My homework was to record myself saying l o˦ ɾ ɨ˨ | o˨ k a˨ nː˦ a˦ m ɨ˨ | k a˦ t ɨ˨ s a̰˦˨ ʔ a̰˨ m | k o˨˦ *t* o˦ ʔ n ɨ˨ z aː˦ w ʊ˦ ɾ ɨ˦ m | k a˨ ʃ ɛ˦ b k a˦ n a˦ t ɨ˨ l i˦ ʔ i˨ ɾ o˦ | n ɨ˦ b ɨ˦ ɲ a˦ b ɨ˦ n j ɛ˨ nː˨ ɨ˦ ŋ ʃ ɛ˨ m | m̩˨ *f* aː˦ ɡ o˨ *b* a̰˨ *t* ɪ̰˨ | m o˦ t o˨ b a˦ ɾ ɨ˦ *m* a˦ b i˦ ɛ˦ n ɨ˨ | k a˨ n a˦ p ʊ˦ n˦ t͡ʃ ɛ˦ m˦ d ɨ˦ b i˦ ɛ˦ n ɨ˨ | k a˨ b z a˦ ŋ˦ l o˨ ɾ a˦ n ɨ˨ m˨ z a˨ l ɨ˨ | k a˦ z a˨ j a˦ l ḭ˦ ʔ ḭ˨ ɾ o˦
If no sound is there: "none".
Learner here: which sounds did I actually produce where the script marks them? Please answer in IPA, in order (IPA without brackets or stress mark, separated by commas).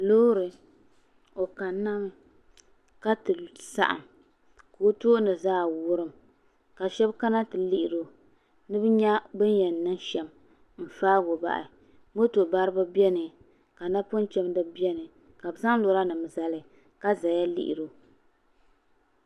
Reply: t, f, b, ʔ, b